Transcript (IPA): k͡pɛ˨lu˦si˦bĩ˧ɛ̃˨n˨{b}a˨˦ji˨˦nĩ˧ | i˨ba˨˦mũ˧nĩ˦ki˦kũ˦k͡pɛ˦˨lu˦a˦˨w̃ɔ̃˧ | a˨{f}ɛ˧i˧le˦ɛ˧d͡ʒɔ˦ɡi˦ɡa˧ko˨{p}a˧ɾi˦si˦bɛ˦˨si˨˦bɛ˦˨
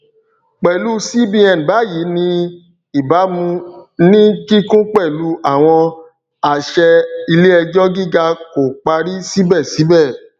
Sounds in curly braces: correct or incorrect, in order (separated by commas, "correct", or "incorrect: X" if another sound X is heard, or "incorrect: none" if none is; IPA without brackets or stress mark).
correct, incorrect: ʃ, incorrect: k͡p